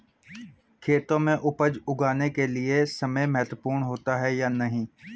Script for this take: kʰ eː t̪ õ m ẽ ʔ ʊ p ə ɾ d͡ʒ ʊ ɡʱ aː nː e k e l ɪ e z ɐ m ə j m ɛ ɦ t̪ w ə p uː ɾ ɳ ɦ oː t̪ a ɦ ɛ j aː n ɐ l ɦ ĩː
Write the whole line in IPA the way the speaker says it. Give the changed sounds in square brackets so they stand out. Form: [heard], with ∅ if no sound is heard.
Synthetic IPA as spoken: kʰ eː t̪ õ m ẽ ʔ ʊ p ə [∅] d͡ʒ ʊ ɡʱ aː [n] e k e l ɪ e [s] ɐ m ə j m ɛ ɦ t̪ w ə p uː ɾ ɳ ɦ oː t̪ a ɦ ɛ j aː n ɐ [∅] ɦ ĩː